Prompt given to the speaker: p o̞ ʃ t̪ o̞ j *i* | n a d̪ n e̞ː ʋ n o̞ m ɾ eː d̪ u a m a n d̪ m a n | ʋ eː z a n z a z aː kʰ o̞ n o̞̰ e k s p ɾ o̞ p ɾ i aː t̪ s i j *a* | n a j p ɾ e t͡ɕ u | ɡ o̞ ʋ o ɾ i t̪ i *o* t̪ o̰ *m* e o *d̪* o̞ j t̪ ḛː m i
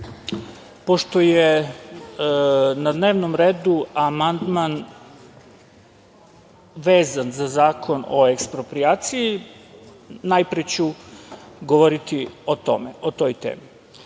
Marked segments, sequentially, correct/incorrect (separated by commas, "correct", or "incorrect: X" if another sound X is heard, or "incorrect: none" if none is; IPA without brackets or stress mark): incorrect: e, incorrect: i, correct, correct, incorrect: t̪